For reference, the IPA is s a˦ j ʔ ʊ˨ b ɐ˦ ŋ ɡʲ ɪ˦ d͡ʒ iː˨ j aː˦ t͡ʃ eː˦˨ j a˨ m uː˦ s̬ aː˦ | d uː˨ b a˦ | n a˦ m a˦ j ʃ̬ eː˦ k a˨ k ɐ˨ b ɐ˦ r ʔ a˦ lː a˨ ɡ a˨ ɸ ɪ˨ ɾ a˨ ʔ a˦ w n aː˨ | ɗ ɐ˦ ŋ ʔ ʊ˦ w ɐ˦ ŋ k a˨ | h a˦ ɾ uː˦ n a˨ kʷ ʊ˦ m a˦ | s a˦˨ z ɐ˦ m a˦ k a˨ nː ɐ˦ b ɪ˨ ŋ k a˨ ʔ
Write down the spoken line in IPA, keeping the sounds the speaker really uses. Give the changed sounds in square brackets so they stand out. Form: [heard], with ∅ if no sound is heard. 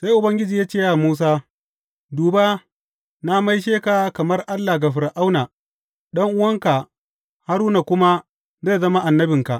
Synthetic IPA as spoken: s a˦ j ʔ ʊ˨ b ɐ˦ ŋ ɡʲ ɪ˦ d͡ʒ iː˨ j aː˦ t͡ʃ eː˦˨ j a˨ m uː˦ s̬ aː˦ | d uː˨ b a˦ | n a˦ m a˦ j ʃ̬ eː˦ k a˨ k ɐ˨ [m] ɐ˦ r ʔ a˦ lː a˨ ɡ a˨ ɸ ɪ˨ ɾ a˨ ʔ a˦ w n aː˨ | ɗ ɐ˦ ŋ ʔ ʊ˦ w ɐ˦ ŋ k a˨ | h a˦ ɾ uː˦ n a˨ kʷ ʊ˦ m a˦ | [z] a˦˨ z ɐ˦ m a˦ [ʔ] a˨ nː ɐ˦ b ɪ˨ ŋ k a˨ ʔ

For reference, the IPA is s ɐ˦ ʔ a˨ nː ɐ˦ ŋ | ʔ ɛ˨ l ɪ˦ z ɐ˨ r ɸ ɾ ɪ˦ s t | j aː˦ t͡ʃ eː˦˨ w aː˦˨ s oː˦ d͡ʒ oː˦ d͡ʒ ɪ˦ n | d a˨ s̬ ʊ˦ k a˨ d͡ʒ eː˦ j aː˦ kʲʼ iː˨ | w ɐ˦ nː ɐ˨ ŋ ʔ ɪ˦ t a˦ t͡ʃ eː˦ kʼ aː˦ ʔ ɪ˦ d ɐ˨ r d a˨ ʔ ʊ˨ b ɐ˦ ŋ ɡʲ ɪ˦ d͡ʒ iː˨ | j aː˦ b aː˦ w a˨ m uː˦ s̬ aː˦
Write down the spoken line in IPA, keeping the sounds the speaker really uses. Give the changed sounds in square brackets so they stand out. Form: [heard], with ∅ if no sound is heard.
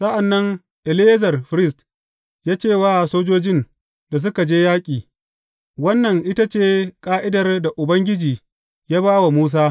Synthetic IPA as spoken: s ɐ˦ ʔ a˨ nː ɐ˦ ŋ | ʔ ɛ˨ l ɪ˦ z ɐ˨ r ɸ ɾ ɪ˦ s t | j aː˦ t͡ʃ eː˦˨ w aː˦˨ s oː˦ d͡ʒ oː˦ d͡ʒ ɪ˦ n | d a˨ s̬ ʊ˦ k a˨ d͡ʒ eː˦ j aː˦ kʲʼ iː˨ | w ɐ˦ nː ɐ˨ ŋ ʔ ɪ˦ t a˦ t͡ʃ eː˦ kʼ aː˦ ʔ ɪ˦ d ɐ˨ r d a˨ ʔ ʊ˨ b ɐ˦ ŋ ɡʲ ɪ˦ d͡ʒ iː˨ | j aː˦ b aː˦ w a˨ m uː˦ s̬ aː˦

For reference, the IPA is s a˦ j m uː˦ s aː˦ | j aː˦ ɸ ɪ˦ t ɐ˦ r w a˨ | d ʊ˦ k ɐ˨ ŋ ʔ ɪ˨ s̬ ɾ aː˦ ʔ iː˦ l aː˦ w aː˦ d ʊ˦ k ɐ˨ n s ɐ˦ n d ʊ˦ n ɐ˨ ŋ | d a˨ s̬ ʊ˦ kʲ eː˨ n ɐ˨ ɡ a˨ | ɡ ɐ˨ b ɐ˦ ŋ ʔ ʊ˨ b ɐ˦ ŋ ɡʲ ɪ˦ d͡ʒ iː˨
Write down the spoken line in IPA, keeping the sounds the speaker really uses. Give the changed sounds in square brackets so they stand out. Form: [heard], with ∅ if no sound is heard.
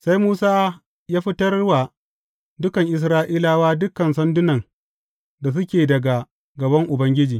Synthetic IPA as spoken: s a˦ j m uː˦ s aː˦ | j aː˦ ɸ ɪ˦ t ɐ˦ r w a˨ | d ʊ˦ k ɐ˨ ŋ ʔ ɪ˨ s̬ ɾ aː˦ ʔ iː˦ l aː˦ w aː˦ d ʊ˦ k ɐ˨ n s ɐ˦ n d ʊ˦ n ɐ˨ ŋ | d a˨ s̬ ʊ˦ kʲ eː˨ [d] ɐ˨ ɡ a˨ | ɡ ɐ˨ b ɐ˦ ŋ ʔ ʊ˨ b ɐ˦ ŋ ɡʲ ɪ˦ d͡ʒ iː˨

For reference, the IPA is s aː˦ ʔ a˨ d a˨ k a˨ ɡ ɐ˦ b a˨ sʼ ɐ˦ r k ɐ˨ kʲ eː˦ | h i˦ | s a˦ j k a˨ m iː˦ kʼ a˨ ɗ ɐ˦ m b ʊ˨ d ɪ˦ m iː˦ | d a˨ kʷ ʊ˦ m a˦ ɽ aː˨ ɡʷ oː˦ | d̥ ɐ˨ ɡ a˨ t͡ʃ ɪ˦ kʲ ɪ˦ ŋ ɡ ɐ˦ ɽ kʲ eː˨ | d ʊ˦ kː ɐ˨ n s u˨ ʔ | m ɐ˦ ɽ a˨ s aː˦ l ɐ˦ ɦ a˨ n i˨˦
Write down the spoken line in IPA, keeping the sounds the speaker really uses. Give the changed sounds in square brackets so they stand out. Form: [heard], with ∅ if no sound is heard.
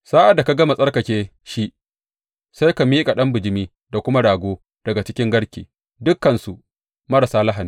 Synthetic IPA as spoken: s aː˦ ʔ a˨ d a˨ k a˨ ɡ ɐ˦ [m] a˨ sʼ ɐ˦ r k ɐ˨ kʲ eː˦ | [ʃ] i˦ | s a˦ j k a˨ m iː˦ kʼ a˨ ɗ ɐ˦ m b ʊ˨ [d͡ʒ] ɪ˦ m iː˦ | d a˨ kʷ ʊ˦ m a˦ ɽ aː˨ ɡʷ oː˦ | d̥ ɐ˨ ɡ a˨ t͡ʃ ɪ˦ kʲ ɪ˦ ŋ ɡ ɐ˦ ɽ kʲ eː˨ | d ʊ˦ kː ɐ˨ n s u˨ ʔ | m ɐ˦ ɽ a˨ s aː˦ l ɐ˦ ɦ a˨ n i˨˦

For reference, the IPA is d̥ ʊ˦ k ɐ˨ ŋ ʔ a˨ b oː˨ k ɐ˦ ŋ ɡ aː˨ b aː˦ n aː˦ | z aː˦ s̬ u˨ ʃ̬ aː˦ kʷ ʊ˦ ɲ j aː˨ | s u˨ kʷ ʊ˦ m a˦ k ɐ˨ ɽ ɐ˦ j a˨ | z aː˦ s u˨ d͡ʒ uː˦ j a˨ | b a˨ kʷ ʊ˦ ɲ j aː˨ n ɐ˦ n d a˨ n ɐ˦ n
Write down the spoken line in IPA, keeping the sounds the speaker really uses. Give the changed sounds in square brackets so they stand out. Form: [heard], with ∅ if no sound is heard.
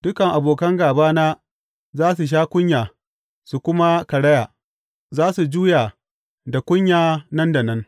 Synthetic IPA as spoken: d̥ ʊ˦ k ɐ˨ ŋ ʔ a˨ b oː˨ k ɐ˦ ŋ ɡ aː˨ b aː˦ n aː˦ | z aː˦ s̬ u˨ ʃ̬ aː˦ kʷ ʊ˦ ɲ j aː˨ | s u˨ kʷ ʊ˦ m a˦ k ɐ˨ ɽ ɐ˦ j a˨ | z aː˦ s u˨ d͡ʒ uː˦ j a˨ | [d] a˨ kʷ ʊ˦ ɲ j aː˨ n ɐ˦ n d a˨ n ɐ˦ n

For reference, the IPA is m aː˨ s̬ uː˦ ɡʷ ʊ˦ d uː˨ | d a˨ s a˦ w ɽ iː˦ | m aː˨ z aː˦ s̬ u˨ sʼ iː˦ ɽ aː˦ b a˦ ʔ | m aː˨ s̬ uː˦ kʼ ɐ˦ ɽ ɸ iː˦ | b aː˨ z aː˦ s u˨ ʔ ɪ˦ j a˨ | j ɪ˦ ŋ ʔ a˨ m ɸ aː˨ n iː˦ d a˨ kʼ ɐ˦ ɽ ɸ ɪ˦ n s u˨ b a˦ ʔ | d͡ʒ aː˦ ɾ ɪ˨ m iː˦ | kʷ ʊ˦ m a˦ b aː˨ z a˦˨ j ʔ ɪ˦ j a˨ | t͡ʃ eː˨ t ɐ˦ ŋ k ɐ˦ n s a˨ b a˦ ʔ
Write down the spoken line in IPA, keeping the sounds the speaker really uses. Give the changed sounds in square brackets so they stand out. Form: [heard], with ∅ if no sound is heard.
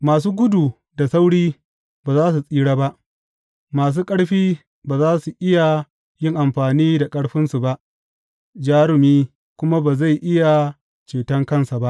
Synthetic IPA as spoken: m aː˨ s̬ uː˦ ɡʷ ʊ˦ d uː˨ | d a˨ s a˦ w ɽ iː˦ | [b] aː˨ z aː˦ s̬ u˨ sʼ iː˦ ɽ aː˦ b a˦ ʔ | m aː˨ s̬ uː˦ kʼ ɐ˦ ɽ ɸ iː˦ | b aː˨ z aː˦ s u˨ ʔ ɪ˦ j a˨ | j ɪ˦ ŋ ʔ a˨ m ɸ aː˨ n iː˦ d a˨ kʼ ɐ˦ ɽ ɸ ɪ˦ n s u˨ b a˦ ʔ | d͡ʒ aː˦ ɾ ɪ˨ m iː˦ | kʷ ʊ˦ m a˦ b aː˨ z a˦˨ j ʔ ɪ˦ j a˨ | t͡ʃ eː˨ t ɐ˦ ŋ k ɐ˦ n s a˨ b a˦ ʔ

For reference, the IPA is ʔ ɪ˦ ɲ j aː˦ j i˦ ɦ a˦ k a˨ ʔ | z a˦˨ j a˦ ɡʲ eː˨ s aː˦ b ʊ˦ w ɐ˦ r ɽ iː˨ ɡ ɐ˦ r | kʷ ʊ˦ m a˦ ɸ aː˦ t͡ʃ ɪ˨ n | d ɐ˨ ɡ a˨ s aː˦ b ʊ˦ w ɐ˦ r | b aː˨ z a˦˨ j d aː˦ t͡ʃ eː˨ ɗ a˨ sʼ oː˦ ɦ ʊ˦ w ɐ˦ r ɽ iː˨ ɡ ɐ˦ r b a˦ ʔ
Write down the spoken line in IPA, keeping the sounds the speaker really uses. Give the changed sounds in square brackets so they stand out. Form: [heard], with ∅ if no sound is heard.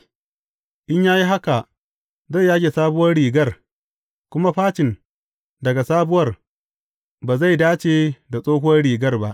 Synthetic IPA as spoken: ʔ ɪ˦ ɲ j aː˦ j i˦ ɦ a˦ k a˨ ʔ | z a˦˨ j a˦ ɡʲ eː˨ s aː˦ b ʊ˦ w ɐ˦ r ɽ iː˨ ɡ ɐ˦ r | kʷ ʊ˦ m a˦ ɸ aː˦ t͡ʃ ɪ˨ n | d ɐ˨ ɡ a˨ s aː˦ b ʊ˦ w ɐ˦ r | b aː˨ z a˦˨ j d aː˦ t͡ʃ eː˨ [d] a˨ sʼ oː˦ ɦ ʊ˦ w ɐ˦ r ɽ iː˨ ɡ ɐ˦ r b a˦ ʔ

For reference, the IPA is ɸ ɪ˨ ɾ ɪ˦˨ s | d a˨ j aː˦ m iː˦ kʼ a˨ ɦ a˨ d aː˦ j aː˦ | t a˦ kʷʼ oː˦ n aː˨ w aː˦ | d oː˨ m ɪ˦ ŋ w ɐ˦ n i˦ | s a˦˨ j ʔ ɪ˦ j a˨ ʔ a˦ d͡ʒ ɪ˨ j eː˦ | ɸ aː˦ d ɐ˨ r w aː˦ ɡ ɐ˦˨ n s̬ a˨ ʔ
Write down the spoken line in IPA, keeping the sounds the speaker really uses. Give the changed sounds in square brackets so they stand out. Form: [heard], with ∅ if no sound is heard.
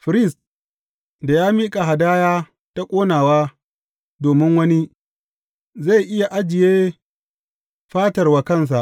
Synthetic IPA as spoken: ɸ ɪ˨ ɾ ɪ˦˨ s | d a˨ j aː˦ m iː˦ kʼ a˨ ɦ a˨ d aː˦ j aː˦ | t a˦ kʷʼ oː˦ n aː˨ w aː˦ | d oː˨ m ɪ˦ ŋ w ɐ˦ n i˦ | [z] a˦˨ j ʔ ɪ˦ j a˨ ʔ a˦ d͡ʒ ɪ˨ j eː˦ | ɸ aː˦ [t] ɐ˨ r w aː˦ [k] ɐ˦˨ n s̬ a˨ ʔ

